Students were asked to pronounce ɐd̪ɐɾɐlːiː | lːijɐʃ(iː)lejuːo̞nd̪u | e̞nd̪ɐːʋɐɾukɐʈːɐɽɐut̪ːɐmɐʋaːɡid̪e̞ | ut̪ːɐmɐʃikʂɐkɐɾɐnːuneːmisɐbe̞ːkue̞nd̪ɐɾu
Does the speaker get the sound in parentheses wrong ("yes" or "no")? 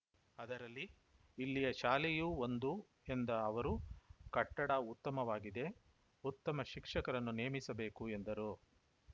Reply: yes